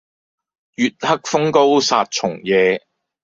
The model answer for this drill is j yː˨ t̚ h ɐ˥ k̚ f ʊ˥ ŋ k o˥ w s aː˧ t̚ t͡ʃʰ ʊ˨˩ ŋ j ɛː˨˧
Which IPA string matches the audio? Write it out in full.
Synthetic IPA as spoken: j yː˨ t̚ h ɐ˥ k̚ f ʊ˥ ŋ k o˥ w s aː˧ t̚ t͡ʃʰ ʊ˨˩ ŋ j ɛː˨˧